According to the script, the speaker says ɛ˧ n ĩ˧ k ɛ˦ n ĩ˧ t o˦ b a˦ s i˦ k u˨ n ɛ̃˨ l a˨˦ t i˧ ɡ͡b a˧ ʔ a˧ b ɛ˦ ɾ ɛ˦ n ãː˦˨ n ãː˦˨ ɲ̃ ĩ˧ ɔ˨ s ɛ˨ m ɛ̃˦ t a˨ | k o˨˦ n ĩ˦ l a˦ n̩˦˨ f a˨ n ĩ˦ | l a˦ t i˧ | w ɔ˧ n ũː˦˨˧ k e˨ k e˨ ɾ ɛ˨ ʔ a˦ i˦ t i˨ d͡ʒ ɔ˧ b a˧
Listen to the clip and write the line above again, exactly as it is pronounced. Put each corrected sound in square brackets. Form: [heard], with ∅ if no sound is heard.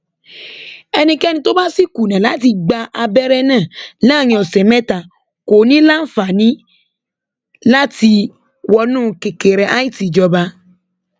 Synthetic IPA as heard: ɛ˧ n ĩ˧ k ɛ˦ n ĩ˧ t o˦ b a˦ s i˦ k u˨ n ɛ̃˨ l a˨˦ t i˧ ɡ͡b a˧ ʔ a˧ b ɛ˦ ɾ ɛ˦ n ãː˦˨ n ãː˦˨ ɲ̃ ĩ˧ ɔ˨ s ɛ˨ m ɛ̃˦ t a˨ | k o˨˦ n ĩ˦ l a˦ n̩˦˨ f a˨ n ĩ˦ | l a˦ t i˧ | w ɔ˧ n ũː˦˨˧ k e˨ k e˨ ɾ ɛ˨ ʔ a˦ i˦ t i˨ d͡ʒ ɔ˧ b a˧